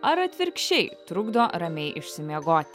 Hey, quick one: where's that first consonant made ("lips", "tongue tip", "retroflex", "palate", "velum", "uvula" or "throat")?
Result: tongue tip